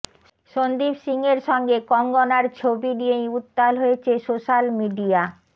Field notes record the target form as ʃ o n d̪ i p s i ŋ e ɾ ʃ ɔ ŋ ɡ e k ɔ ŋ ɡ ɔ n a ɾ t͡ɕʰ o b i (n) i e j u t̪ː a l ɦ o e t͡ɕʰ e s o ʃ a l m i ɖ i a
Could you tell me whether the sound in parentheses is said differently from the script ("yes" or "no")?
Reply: no